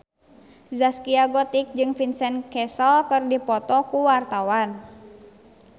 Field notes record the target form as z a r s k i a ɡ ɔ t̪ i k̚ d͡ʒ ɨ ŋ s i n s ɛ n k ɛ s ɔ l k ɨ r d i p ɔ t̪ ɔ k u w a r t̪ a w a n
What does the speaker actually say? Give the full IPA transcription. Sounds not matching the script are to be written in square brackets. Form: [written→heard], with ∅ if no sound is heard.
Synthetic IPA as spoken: z a [r→∅] s k i a ɡ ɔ t̪ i k̚ d͡ʒ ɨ ŋ [s→f] i n s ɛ n k ɛ s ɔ l k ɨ r d i p ɔ t̪ ɔ k u w a r t̪ a w a n